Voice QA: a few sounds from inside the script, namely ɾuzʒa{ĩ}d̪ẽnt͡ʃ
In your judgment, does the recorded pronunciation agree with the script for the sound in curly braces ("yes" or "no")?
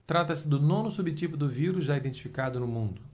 no